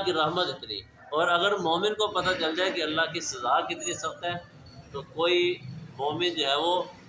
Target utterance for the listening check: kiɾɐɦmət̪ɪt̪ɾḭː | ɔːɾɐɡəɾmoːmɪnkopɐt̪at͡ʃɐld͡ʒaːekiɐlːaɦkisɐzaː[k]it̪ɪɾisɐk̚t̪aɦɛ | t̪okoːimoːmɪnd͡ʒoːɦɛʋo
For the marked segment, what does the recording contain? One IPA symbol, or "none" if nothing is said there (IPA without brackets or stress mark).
k